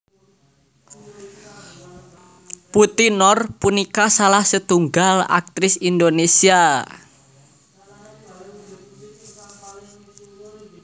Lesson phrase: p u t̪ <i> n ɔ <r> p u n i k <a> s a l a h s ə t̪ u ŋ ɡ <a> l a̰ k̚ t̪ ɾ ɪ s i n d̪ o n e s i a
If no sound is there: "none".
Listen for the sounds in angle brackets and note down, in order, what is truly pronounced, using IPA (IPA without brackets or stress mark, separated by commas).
i, r, a, a